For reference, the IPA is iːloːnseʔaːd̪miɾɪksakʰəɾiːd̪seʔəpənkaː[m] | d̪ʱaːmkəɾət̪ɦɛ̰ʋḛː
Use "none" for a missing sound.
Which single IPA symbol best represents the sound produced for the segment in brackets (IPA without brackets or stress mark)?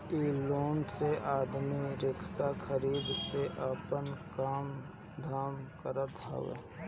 m